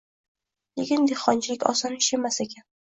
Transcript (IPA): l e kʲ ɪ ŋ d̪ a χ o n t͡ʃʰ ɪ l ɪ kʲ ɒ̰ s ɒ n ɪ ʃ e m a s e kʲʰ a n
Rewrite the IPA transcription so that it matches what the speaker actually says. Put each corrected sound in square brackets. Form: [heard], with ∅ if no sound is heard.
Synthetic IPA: l e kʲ ɪ [n] d̪ [e] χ [ɒ] n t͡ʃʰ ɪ l ɪ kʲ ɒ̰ s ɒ n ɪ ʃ e m a s e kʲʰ a n